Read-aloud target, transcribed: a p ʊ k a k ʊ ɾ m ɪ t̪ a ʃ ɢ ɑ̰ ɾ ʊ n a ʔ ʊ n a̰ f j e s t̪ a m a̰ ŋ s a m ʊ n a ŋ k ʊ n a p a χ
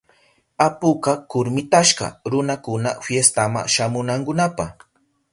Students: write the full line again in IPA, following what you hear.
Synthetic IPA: a p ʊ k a k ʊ ɾ m ɪ t̪ a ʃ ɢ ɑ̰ ɾ ʊ n a k ʊ n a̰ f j e s t̪ a m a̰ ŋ ʃ a m ʊ n a ŋ k ʊ n a p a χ